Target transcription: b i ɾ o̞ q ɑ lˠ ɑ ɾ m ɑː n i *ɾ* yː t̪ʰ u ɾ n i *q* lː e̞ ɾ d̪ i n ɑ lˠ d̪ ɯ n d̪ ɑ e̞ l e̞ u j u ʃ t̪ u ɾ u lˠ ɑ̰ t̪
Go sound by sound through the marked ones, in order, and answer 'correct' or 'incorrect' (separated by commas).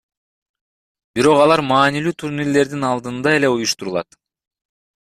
incorrect, incorrect